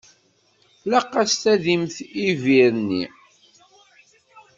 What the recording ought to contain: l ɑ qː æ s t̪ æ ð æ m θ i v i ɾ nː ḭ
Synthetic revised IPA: l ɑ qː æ s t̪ æ ð i m θ i v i ɾ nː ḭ